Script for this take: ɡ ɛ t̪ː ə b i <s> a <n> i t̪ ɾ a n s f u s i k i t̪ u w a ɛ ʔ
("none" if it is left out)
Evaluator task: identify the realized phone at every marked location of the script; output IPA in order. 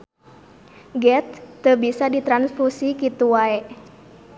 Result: s, d

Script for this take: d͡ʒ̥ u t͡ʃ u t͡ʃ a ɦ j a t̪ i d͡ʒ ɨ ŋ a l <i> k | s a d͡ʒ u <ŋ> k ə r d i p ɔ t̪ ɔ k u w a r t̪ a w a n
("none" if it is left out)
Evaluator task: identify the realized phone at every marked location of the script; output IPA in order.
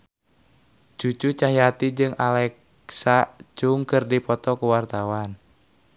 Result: ɛ, ŋ

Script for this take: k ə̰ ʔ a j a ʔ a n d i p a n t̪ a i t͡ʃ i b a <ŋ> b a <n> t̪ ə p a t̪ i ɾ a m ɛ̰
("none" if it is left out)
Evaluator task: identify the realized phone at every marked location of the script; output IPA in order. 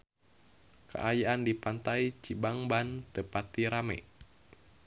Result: ŋ, n

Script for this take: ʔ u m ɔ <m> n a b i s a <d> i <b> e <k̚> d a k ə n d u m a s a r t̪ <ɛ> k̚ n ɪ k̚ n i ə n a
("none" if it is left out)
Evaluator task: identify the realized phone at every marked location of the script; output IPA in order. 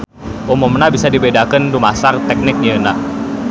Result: m, d, b, none, ɛ

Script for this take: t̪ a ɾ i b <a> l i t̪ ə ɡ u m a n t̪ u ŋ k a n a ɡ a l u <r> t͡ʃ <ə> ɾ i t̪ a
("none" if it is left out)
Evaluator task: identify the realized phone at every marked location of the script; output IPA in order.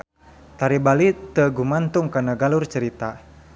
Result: a, r, ə

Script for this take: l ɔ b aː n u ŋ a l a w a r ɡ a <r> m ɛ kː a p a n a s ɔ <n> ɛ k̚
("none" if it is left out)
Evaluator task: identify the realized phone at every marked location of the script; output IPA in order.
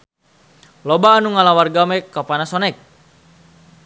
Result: none, n

